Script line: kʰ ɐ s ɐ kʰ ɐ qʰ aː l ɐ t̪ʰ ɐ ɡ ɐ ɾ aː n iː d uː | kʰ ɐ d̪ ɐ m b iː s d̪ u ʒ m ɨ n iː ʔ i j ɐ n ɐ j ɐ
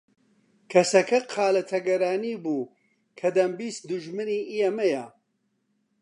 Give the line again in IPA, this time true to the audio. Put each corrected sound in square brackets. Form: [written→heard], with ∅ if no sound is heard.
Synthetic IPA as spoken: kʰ ɐ s ɐ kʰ ɐ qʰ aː l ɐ t̪ʰ ɐ ɡ ɐ ɾ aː n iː [d→b] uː | kʰ ɐ d̪ ɐ m b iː s d̪ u ʒ m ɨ n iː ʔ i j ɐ [n→m] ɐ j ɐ